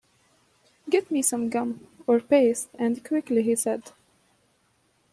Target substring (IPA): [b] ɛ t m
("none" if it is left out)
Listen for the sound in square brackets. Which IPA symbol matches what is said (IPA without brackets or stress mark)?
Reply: ɡ